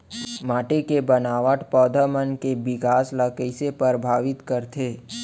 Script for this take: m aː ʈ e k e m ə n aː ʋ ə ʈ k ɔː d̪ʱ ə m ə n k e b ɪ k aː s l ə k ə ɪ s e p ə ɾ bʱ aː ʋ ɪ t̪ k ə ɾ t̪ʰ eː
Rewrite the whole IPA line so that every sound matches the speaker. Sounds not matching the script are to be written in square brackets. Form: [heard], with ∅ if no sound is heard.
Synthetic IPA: m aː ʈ e k e [b] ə n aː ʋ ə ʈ [p] ɔː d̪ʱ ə m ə n k e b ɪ k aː s l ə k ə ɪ s e p ə ɾ bʱ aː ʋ ɪ t̪ k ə ɾ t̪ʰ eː